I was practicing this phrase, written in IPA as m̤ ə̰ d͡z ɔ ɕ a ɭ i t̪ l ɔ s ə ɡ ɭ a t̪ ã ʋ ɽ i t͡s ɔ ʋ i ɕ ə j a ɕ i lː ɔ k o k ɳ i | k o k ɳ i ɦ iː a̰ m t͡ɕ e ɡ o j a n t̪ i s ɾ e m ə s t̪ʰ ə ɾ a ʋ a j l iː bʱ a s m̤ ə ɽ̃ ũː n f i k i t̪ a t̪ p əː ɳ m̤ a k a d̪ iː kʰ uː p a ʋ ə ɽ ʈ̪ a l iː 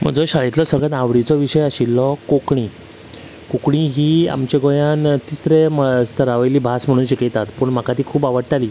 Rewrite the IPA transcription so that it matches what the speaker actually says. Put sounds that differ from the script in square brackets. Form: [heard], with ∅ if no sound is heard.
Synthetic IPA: m̤ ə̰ d͡z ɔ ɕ a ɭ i t̪ l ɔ s ə ɡ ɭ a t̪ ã ʋ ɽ i t͡s ɔ ʋ i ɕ ə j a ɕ i lː ɔ k o k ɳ i | k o k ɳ i ɦ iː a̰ m t͡ɕ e ɡ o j a n t̪ i s ɾ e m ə s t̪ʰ ə ɾ a ʋ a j l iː bʱ a s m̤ ə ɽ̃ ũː n [ɕ] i k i t̪ a t̪ p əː ɳ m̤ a k a [t̪] iː kʰ uː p a ʋ ə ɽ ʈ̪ a l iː